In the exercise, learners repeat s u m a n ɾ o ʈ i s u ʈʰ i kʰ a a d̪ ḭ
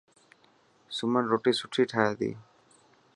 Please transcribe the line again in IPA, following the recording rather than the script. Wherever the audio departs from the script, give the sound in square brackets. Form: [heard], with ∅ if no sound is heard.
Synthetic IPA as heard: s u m a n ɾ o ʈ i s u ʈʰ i [ʈʰ] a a d̪ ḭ

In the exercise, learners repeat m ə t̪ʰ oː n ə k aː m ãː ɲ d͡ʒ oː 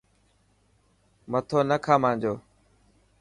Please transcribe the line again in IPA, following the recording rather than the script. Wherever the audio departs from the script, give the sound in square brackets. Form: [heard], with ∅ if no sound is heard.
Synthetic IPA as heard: m ə t̪ʰ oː n ə [kʰ] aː m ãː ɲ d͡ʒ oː

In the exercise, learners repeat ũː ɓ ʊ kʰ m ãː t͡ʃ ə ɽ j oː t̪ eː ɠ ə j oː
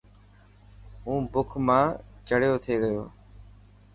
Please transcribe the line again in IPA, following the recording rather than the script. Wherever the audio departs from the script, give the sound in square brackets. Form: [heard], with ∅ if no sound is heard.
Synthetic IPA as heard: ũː [b] ʊ kʰ m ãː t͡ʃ ə ɽ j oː [t̪ʰ] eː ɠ ə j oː

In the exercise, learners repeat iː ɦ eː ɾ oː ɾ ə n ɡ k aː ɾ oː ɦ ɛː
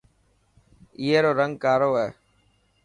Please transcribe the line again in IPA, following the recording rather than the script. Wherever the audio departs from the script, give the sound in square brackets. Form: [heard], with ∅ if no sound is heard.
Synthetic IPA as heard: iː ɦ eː ɾ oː ɾ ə [ŋ] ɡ k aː ɾ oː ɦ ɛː

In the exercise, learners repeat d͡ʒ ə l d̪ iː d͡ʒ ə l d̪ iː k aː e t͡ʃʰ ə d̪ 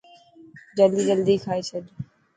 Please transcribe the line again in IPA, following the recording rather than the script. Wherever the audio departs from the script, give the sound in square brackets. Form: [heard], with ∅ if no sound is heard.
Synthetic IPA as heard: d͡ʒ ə l d̪ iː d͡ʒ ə l d̪ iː [kʰ] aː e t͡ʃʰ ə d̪

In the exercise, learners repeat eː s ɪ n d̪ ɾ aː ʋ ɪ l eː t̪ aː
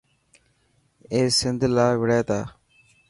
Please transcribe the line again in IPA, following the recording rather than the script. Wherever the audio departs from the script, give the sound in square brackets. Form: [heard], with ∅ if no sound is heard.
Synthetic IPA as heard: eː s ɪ n d̪ [l] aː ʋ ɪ [ɽ] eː t̪ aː

